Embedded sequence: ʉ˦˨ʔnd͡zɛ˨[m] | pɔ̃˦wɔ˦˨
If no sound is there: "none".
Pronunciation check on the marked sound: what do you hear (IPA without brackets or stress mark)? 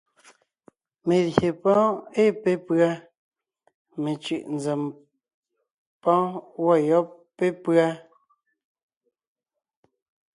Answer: m